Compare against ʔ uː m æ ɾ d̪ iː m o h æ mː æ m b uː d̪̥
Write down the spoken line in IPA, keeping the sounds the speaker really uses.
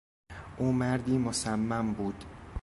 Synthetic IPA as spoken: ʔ uː m æ ɾ d̪ iː m o s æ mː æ m b uː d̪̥